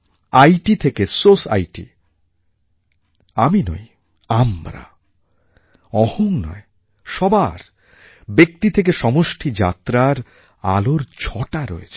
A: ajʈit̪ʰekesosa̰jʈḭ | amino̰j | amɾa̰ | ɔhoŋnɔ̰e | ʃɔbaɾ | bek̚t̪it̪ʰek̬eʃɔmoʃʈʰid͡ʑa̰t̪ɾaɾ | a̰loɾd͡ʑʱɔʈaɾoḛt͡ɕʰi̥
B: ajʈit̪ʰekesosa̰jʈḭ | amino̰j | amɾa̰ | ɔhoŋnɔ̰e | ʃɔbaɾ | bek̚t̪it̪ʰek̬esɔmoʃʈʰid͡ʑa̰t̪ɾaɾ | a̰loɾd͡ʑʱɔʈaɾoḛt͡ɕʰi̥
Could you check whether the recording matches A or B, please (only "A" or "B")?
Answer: A